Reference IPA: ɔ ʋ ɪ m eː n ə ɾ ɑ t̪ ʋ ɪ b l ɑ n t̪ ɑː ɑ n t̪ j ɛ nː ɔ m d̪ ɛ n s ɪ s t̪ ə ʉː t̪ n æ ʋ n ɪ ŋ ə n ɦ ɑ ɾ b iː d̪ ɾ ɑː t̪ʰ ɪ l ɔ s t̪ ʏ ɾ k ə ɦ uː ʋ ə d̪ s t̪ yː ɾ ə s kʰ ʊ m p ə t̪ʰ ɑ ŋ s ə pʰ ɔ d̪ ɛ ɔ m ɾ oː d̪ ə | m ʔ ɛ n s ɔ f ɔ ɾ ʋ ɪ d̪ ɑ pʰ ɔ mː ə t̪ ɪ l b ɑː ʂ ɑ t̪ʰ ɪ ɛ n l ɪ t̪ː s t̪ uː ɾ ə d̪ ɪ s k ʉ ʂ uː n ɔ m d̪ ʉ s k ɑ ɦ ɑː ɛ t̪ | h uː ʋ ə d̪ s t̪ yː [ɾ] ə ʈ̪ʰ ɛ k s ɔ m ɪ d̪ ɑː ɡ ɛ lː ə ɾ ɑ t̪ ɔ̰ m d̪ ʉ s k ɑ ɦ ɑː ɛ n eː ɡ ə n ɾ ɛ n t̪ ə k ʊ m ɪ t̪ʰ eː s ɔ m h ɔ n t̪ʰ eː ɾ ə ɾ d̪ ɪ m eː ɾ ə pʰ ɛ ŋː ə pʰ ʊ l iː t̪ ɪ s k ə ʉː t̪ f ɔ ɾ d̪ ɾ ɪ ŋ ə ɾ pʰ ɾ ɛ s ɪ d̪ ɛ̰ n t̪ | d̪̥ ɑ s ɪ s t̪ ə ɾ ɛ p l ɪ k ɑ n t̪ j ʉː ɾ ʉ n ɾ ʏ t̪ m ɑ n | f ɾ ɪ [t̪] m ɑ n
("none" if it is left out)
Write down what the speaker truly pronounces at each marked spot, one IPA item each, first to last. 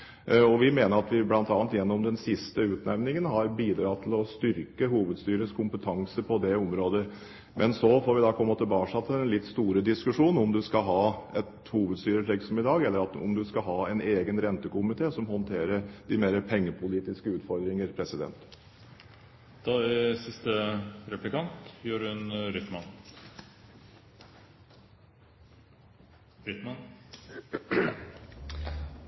ɾ, t̪

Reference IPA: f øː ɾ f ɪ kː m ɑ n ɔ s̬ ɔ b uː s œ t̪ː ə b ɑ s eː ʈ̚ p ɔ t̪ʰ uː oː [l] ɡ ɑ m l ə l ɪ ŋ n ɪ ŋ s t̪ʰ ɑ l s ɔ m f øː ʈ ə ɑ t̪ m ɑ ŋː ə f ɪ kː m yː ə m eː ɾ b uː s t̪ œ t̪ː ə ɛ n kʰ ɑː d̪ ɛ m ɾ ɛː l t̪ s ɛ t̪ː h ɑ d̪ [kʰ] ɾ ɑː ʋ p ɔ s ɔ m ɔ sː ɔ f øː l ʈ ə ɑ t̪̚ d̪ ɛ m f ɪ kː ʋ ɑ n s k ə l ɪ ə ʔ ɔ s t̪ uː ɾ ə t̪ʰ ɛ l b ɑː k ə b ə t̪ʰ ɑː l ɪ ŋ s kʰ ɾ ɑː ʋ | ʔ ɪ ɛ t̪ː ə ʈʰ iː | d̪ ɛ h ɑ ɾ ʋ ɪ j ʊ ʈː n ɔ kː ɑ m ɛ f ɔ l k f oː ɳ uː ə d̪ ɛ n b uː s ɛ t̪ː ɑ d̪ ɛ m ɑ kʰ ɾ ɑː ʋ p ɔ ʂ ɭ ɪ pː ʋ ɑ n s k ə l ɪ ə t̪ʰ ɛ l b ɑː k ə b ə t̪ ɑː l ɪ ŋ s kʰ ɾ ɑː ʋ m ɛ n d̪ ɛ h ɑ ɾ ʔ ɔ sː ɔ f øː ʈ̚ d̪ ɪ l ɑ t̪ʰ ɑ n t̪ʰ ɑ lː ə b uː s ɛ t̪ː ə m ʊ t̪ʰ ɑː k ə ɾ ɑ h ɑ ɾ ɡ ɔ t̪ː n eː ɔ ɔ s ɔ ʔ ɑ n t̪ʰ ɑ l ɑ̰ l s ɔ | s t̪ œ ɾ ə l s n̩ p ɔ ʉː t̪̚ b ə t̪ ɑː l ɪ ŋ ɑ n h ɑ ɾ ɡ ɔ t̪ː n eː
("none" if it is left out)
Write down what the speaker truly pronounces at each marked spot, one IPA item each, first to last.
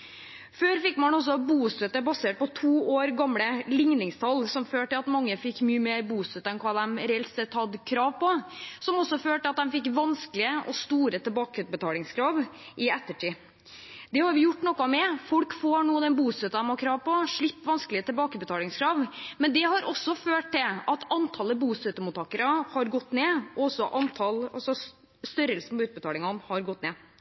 ɾ, kʰ

